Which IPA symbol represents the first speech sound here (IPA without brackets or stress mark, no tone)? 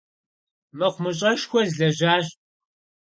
m